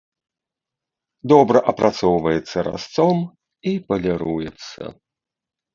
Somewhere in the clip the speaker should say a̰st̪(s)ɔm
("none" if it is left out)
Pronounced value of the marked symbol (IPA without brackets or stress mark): s